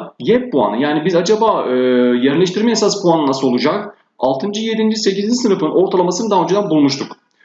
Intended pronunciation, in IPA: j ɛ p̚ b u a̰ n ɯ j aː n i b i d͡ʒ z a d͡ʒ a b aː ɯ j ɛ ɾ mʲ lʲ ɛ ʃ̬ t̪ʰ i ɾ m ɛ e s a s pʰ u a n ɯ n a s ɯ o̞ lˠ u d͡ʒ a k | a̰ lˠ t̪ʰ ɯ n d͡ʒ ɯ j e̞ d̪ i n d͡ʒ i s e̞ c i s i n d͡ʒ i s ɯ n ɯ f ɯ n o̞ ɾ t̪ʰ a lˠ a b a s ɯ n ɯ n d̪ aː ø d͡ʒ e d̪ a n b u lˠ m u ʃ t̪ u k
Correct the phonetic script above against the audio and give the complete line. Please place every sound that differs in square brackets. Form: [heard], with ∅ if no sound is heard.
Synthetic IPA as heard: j ɛ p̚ b u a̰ n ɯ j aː n i b i [∅] z a d͡ʒ a b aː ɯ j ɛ ɾ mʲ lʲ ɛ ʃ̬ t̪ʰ i ɾ m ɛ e s a s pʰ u a n ɯ n a s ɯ o̞ lˠ u d͡ʒ a k | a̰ lˠ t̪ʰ ɯ n d͡ʒ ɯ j e̞ d̪ i n d͡ʒ i s e̞ c i [z] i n d͡ʒ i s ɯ n ɯ f ɯ n o̞ ɾ t̪ʰ a lˠ a [m] a s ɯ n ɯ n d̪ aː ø d͡ʒ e d̪ a n b u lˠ m u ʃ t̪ u k

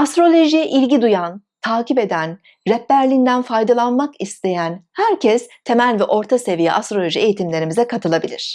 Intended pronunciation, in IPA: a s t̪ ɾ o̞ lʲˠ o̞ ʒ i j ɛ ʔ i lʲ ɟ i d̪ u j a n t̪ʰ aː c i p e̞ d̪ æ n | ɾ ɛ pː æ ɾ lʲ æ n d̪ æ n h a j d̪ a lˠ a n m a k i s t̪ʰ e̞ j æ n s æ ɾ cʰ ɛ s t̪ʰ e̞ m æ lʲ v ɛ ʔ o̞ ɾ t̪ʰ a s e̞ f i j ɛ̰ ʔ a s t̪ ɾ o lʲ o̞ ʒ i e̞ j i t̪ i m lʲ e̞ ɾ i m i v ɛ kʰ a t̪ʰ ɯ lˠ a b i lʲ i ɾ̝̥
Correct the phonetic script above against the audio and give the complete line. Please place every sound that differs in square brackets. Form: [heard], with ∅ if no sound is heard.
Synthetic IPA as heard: a s t̪ ɾ o̞ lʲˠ o̞ ʒ i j ɛ ʔ i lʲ ɟ i d̪ u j a n t̪ʰ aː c i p e̞ d̪ æ n | ɾ ɛ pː æ ɾ lʲ [i] n d̪ æ n [f] a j d̪ a lˠ a n m a k i s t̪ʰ e̞ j æ n [h] æ ɾ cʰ ɛ s t̪ʰ e̞ m æ lʲ v ɛ ʔ o̞ ɾ t̪ʰ a s e̞ [v] i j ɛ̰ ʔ a s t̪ ɾ o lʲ o̞ ʒ i e̞ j i t̪ i m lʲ e̞ ɾ i m i [z] ɛ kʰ a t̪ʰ ɯ lˠ a b i lʲ i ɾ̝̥

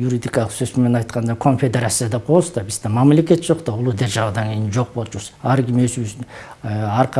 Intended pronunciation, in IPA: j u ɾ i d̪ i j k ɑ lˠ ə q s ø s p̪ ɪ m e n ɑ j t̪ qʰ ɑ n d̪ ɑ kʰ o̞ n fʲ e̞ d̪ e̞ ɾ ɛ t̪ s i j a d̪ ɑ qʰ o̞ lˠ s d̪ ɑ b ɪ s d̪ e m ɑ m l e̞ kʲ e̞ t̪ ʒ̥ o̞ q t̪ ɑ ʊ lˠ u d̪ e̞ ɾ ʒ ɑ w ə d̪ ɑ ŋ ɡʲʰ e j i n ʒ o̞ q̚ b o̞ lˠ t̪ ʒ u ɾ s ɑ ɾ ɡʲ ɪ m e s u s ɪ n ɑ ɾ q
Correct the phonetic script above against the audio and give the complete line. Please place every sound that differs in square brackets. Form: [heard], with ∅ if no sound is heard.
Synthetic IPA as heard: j u ɾ i d̪ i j k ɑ lˠ ə q s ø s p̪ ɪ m e n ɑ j t̪ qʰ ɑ n d̪ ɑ kʰ o̞ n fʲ e̞ d̪ e̞ ɾ [a] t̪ s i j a d̪ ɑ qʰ o̞ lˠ s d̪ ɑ b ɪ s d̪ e m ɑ m l e̞ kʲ e̞ t̪ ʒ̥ o̞ q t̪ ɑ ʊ lˠ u d̪ e̞ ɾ ʒ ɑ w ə d̪ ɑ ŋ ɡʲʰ e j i n ʒ o̞ q̚ b o̞ lˠ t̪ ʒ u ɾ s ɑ ɾ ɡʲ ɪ m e s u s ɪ n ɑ ɾ q

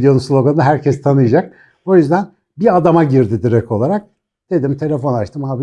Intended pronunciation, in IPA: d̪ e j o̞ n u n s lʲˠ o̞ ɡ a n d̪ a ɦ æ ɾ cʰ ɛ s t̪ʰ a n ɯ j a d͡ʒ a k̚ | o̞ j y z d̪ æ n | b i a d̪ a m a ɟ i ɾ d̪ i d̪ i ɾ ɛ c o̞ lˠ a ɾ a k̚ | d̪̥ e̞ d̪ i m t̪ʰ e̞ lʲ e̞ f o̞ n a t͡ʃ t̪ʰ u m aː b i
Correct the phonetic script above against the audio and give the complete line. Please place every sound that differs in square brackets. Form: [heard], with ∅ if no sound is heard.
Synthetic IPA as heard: d̪ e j o̞ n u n s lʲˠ o̞ ɡ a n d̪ a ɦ æ ɾ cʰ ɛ s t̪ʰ a n ɯ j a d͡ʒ a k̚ | o̞ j y z d̪ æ n | b i a d̪ a m a ɟ i ɾ d̪ i d̪ i ɾ ɛ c o̞ lˠ a ɾ a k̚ | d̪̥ e̞ d̪ i m t̪ʰ e̞ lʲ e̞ f o̞ n a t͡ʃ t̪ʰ [ɯ] m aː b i

